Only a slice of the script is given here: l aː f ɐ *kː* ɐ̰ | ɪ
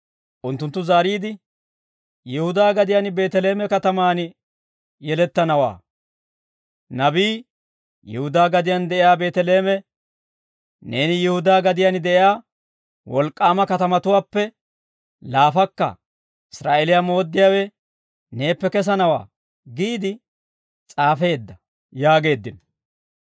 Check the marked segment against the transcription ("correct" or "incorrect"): correct